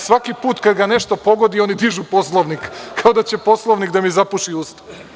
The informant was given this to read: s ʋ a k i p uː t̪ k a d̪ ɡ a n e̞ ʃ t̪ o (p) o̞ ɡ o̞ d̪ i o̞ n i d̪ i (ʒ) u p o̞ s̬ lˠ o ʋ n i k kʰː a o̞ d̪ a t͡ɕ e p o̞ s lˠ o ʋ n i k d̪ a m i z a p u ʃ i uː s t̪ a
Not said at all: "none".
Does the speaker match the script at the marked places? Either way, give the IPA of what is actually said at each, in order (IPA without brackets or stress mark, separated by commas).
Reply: p, ʒ